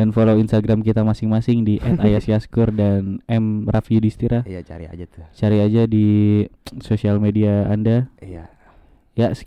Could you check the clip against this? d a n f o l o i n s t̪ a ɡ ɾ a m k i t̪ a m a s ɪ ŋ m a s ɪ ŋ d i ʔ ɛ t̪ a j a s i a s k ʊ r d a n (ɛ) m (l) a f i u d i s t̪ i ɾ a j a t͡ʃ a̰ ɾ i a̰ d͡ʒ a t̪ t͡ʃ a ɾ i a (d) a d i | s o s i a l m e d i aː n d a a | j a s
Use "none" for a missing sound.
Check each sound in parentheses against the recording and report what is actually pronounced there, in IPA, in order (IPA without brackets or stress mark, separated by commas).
ɛ, r, d͡ʒ